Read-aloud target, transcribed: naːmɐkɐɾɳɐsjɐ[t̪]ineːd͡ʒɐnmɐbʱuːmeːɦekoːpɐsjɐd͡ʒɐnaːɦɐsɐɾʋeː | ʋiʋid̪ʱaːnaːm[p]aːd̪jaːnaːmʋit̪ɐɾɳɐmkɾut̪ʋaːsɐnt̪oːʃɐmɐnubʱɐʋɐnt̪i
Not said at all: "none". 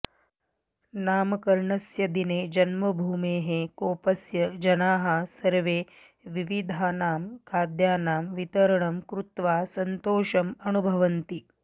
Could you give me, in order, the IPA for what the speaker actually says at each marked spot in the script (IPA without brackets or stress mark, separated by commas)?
d̪, k